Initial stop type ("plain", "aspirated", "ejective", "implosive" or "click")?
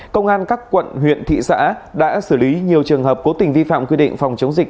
plain